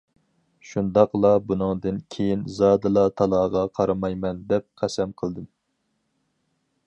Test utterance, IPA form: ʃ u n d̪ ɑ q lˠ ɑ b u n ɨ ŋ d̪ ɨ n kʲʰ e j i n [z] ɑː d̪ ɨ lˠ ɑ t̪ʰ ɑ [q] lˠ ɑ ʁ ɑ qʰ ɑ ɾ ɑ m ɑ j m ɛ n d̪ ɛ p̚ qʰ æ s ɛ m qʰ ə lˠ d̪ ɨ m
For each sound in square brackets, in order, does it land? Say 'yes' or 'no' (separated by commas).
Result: yes, no